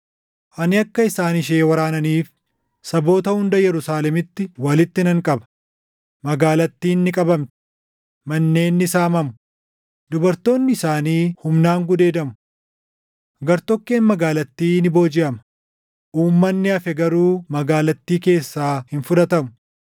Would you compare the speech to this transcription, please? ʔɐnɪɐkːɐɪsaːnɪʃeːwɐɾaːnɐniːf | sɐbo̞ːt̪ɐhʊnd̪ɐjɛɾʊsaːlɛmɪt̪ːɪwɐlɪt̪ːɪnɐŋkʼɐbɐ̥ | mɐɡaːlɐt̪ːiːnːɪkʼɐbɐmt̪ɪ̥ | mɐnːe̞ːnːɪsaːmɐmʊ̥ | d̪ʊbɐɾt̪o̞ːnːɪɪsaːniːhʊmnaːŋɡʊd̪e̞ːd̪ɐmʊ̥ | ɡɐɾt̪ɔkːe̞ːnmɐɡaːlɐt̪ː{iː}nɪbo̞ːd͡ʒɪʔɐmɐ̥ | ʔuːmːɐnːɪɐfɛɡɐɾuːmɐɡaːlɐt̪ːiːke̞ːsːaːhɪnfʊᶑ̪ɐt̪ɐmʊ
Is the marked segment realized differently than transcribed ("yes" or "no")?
no